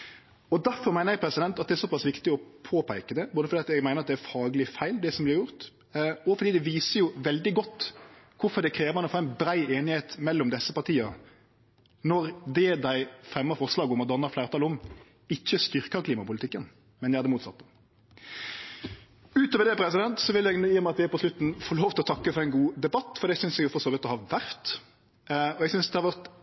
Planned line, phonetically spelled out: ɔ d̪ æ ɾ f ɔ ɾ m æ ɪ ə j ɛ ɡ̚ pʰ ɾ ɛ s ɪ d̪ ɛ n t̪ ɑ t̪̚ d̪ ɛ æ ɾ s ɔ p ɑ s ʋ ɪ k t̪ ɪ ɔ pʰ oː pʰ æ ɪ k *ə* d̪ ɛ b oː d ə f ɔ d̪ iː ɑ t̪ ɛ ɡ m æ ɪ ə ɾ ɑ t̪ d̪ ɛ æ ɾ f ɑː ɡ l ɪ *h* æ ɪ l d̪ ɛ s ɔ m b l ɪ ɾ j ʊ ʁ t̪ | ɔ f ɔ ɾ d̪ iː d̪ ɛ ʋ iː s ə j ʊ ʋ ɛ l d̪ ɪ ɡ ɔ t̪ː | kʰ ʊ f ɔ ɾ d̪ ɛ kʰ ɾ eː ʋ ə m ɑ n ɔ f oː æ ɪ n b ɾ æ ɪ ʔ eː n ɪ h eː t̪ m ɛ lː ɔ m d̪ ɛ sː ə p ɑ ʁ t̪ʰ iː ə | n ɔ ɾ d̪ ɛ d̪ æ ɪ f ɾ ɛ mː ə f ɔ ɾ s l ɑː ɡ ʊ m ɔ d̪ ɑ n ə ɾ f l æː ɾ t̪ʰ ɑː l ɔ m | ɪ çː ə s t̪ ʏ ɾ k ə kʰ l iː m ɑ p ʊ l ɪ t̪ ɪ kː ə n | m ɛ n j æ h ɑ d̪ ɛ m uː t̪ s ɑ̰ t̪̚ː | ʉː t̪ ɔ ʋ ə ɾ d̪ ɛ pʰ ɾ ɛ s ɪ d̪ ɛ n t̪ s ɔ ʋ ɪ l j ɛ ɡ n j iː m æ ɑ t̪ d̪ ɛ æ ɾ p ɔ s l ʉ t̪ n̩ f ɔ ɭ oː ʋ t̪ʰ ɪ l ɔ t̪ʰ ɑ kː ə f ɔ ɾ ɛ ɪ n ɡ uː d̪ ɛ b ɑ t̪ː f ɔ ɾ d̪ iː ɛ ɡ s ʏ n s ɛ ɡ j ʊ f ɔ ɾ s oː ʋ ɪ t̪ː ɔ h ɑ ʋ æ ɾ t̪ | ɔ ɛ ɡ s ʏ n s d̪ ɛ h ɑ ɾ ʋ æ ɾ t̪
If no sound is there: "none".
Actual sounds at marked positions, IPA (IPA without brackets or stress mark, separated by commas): ə, f